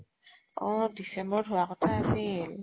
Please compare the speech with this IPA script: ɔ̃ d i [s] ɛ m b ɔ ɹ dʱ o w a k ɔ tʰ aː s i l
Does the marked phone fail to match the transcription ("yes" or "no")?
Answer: no